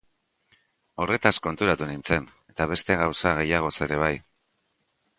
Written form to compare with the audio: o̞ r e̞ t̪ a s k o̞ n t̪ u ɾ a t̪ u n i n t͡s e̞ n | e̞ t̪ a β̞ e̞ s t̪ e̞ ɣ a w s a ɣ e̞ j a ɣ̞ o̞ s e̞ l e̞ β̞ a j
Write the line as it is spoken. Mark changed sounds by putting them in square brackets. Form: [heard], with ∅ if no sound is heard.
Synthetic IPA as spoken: o̞ r e̞ t̪ a s k o̞ n t̪ u ɾ a t̪ u n i n t͡s e̞ n | e̞ t̪ a β̞ e̞ s t̪ e̞ ɣ a w s a ɣ e̞ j a ɣ̞ o̞ s e̞ [ɾ] e̞ β̞ a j